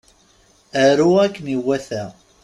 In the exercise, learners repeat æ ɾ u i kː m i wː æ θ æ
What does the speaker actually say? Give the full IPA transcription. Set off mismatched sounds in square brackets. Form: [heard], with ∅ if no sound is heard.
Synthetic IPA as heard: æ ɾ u [æ] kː [n] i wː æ θ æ